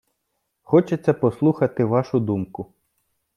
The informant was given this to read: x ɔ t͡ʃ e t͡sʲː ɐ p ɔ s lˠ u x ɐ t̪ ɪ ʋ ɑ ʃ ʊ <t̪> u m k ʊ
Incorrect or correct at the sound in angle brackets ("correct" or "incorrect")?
incorrect